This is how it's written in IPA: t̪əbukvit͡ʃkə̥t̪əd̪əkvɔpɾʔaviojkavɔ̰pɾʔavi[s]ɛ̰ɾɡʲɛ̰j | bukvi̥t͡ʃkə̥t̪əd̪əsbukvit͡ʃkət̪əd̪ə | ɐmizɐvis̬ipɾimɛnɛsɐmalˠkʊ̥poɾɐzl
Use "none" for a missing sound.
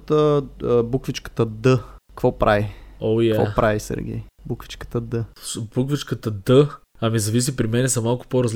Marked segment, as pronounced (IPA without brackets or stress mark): s